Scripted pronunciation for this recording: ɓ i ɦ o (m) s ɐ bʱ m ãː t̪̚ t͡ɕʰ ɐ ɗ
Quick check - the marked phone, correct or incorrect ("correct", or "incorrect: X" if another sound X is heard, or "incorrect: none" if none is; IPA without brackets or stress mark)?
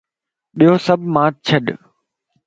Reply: incorrect: none